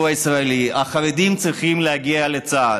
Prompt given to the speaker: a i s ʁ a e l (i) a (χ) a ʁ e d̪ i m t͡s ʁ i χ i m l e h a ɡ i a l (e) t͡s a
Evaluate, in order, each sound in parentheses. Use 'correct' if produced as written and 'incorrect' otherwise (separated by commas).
correct, correct, correct